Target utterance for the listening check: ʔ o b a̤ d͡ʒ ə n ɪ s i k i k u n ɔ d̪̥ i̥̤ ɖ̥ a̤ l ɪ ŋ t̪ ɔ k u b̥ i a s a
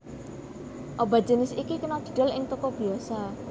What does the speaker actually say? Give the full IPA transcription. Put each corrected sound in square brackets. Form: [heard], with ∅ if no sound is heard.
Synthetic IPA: ʔ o b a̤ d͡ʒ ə n ɪ s i k i k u n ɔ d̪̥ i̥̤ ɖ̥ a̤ l ɪ ŋ t̪ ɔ k [ɔ] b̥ i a s a